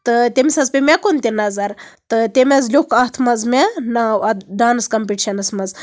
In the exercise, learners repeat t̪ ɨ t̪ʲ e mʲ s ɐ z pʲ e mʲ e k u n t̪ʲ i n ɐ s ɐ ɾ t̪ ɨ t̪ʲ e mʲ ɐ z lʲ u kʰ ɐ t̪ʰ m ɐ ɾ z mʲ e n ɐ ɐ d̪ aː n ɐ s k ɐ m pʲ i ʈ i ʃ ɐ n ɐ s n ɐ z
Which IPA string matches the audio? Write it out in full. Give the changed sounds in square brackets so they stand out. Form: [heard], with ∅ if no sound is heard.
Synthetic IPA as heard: t̪ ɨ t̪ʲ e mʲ s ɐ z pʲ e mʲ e k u n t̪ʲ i n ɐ [z] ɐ ɾ t̪ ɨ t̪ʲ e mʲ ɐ z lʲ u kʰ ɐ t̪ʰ m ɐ [∅] z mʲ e n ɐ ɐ d̪ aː n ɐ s k ɐ m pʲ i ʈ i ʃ ɐ n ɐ s [m] ɐ z